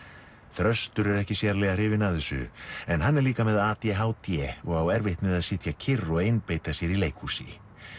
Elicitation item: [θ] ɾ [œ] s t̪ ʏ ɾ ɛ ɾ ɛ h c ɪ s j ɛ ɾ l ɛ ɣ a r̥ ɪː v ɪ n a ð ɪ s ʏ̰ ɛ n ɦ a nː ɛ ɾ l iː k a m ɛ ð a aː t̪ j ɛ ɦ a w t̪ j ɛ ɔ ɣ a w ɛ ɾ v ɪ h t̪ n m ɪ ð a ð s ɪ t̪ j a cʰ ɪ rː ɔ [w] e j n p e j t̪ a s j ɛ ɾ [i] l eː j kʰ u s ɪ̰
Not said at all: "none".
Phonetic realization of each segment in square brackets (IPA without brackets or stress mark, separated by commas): θ, œ, ɣ, i